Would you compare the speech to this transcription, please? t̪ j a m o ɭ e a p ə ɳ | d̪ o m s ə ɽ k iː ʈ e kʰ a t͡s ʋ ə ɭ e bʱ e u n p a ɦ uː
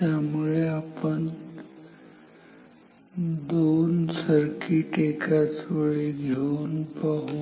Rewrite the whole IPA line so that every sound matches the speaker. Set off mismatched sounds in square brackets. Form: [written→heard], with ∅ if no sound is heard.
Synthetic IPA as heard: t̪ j a m [o→u] ɭ e a p ə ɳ | d̪ o [m→n] s ə [ɽ→ɾ] k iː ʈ e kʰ a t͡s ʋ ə ɭ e [bʱ→ɡʱ] e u n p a ɦ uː